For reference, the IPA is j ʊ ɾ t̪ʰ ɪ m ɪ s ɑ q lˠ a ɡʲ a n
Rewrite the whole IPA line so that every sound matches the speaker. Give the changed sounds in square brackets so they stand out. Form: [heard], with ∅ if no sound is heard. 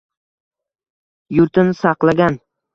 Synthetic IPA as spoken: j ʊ ɾ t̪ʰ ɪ [n] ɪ s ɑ q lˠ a ɡʲ a n